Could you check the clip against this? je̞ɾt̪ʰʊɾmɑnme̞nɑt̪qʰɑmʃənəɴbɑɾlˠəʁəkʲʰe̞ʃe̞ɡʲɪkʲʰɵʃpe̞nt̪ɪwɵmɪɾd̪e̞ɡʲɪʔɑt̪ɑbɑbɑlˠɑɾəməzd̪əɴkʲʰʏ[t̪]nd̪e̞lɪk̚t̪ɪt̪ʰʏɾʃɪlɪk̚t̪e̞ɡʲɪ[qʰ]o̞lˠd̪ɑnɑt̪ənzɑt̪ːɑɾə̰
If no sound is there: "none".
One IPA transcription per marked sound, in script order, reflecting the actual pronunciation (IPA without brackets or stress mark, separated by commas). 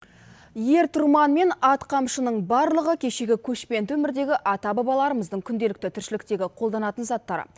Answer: none, qʰ